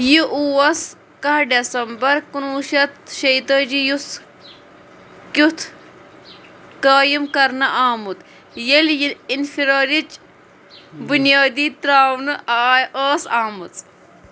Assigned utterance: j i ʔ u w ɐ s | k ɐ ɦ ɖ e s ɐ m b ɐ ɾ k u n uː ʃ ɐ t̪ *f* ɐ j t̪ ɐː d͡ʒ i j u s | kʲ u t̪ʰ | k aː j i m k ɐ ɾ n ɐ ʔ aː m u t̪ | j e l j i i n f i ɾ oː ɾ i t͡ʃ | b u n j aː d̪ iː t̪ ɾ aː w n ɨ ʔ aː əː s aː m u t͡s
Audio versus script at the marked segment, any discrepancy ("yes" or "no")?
yes